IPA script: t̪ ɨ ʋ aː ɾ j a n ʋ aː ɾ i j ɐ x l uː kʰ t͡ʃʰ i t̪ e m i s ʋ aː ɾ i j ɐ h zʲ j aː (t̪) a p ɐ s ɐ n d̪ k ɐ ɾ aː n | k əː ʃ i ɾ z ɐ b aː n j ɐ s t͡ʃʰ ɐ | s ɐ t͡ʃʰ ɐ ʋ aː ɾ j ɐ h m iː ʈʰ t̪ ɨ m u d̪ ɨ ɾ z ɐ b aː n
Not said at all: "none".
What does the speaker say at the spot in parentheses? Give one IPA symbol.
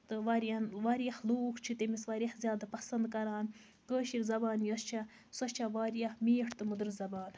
d̪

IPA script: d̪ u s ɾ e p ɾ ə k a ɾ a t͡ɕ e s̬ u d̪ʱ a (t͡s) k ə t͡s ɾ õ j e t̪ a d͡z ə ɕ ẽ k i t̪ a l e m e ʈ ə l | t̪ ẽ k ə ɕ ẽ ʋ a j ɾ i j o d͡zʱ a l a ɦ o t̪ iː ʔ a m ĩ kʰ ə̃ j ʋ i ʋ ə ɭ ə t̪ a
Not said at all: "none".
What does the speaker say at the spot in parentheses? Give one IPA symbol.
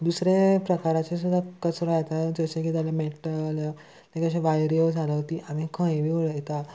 none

